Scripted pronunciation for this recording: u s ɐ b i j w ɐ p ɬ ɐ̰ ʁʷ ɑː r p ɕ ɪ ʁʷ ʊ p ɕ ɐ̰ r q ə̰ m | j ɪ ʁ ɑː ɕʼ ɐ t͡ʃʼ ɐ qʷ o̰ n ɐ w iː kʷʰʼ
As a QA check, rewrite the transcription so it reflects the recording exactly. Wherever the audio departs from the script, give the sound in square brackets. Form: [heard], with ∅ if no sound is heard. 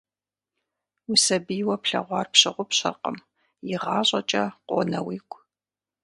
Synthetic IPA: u s ɐ b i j w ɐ p ɬ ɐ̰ ʁʷ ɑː r p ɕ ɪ ʁʷ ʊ p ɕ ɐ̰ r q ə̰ m | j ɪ ʁ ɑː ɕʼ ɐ t͡ʃʼ ɐ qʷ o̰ n ɐ w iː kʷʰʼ